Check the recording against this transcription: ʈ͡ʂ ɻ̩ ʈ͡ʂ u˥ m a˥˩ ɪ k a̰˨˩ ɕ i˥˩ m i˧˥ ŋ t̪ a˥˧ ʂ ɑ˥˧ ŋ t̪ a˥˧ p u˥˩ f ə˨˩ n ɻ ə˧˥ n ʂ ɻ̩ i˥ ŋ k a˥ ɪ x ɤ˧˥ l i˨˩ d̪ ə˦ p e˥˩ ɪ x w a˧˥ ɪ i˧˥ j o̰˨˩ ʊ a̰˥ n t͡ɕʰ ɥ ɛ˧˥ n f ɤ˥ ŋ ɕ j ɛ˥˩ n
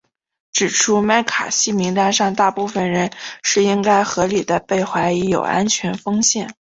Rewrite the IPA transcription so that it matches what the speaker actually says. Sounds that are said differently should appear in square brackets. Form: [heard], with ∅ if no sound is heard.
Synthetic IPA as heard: ʈ͡ʂ ɻ̩ [ʈ͡ʂʰ] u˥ m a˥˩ ɪ [kʰ] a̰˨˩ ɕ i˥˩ m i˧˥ ŋ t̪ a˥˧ ʂ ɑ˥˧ ŋ t̪ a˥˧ p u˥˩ f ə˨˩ n ɻ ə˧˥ n ʂ ɻ̩ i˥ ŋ k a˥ ɪ x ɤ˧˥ l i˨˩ d̪ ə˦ p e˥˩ ɪ x w a˧˥ ɪ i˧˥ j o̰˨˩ ʊ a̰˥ n t͡ɕʰ ɥ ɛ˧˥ n f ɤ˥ ŋ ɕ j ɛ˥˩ n